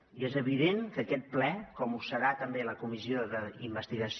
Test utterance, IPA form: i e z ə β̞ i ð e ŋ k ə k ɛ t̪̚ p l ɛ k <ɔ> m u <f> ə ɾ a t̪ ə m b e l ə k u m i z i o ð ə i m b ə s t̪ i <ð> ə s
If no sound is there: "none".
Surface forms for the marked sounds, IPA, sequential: ɔ, s, ɣ

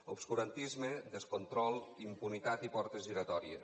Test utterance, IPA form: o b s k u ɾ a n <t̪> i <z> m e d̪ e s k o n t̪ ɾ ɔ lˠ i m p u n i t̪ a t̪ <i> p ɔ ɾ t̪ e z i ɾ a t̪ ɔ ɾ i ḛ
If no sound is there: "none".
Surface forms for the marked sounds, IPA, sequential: t̪, z, i

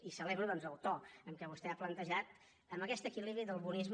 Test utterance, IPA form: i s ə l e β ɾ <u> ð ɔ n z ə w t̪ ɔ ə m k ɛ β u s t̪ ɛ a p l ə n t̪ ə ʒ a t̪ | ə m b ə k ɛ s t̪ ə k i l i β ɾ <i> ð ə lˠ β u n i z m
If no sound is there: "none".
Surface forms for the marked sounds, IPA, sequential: u, i

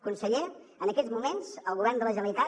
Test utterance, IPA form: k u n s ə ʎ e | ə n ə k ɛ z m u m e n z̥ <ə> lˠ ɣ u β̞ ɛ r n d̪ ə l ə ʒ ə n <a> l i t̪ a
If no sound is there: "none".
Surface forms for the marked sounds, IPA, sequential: ə, ə

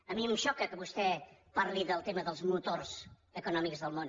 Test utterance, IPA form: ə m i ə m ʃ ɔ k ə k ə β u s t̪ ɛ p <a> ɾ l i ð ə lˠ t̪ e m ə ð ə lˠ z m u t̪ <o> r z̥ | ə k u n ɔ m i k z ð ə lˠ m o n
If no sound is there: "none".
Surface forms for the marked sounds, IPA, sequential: a, o

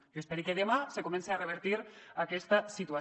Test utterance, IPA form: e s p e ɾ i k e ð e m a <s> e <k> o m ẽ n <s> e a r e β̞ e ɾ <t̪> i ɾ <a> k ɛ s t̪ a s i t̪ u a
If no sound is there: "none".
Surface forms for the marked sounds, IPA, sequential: s, k, s, t̪, a

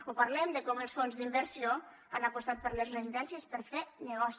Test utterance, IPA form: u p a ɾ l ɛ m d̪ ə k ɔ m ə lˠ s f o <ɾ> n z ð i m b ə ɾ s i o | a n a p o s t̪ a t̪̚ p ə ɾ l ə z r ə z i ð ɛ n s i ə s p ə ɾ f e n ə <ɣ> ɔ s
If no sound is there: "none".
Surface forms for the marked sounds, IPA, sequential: none, ɣ

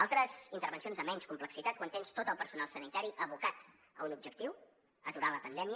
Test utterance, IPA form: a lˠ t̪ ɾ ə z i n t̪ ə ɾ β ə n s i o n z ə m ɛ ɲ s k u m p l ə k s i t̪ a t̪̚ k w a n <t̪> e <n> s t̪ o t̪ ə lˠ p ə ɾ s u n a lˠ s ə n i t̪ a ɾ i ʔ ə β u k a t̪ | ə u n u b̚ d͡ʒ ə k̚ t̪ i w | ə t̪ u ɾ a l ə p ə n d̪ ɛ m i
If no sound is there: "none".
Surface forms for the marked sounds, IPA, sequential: t̪, n

